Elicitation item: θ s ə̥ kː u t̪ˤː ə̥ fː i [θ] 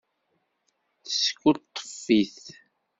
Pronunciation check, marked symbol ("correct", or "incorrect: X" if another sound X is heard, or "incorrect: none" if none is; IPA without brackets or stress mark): correct